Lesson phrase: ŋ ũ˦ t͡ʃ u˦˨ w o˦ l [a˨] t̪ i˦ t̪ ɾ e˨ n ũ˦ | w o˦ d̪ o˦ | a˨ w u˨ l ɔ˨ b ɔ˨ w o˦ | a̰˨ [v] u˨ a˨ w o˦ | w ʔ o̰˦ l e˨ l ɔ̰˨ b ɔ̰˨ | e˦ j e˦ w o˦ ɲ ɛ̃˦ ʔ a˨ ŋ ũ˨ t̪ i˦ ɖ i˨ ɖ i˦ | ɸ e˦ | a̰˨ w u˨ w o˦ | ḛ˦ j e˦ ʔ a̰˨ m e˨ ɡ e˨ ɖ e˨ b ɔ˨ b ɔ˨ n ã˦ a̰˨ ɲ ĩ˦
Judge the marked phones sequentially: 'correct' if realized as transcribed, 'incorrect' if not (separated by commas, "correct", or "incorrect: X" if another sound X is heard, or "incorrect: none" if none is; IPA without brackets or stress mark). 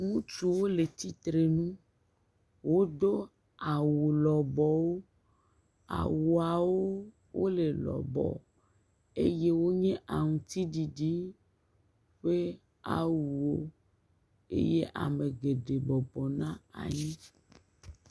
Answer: incorrect: e˨, incorrect: w